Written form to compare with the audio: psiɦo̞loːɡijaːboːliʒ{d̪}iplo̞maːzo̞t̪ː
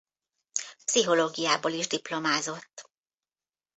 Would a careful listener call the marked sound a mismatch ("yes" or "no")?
no